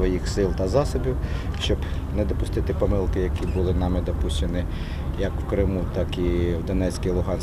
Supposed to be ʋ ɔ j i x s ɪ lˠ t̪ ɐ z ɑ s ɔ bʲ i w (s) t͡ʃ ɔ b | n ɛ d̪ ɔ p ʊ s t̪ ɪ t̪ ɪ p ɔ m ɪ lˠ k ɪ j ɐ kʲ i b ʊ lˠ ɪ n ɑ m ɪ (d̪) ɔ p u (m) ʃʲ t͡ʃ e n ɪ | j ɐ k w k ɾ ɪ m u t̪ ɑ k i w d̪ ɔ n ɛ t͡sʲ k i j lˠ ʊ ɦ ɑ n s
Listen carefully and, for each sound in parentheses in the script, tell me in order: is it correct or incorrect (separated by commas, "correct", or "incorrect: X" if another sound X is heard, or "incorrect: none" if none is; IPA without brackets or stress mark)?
incorrect: ʃ, correct, incorrect: none